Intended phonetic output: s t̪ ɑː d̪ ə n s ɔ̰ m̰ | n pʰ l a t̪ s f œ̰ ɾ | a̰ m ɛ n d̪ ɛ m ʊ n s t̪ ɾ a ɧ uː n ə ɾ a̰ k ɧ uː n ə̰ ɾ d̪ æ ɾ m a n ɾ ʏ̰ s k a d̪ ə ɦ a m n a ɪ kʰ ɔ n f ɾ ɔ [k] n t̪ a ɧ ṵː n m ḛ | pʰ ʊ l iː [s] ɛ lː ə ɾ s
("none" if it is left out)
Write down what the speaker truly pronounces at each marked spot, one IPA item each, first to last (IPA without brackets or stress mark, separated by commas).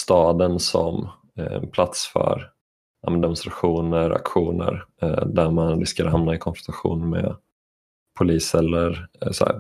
none, s